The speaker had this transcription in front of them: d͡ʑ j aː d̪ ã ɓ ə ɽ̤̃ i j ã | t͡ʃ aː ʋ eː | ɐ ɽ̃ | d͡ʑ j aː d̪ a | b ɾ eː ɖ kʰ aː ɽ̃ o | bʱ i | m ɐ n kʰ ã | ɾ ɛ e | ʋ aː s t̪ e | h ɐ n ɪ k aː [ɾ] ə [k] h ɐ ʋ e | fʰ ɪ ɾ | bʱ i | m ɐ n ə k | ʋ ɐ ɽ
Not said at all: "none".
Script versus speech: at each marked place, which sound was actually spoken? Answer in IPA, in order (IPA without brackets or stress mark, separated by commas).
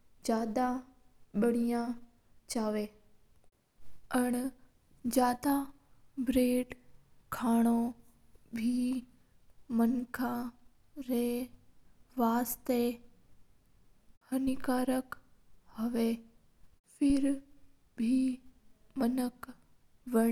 ɾ, k